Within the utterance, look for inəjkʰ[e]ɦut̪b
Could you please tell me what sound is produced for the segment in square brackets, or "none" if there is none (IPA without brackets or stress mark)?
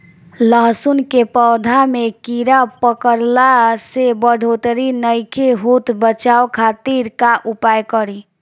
e